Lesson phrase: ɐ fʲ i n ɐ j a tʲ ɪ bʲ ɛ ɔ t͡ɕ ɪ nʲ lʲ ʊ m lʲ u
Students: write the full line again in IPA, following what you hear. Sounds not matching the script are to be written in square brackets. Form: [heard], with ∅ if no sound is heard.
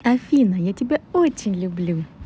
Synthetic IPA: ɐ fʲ i n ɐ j a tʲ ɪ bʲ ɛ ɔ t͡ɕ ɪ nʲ lʲ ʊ [b] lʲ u